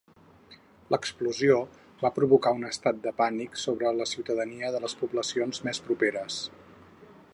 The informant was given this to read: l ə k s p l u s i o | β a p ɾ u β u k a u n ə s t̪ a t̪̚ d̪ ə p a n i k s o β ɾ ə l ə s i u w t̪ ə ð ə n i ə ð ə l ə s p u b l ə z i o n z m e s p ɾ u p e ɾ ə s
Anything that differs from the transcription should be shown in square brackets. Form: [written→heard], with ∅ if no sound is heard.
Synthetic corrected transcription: l ə k s p l u [s→z] i o | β a p ɾ u β u k a u n ə s t̪ a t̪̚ d̪ ə p a n i k s o β ɾ ə l ə s i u w t̪ ə ð ə n i ə ð ə l ə s p u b l ə [z→s] i o n z m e s p ɾ u p e ɾ ə s

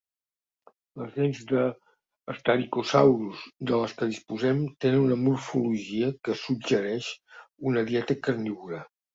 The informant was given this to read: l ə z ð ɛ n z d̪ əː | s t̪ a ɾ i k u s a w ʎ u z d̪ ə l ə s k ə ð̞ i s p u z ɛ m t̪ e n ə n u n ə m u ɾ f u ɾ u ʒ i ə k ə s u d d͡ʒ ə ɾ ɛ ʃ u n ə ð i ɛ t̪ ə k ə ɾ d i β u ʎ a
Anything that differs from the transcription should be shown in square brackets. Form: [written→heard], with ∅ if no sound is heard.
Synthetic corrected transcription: l ə z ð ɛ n z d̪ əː | s t̪ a ɾ i k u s a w [ʎ→ɾ] u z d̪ ə l ə s k ə ð̞ i s p u z ɛ m t̪ e n ə n u n ə m u ɾ f u [ɾ→l] u ʒ i ə k ə s u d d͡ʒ ə ɾ ɛ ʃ u n ə ð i ɛ t̪ ə k ə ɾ [d→n] i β u [ʎ→ɾ] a

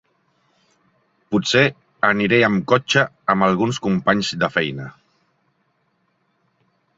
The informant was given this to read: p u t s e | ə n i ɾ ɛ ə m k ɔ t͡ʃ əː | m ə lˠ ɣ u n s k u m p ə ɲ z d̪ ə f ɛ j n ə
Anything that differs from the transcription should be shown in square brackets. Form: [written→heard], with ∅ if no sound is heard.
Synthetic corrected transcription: p u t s e | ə n i ɾ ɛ ə m k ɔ t͡ʃ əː | m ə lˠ ɣ u n s k u m p [ə→a] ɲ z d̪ ə f ɛ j n ə

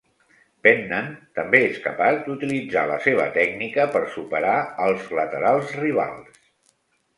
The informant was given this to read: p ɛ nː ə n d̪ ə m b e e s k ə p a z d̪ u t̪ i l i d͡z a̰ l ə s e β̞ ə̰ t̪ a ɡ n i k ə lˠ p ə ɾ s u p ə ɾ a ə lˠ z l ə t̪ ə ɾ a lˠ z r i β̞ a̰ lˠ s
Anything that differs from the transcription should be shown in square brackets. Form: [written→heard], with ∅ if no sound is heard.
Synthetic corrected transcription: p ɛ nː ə n [d̪→t̪] ə m b e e s k ə p a z d̪ u t̪ i l i d͡z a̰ l ə s e β̞ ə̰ t̪ [a→ɛ] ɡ n i k ə [lˠ→∅] p ə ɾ s u p ə ɾ a ə lˠ z l ə t̪ ə ɾ a lˠ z r i β̞ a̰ lˠ s

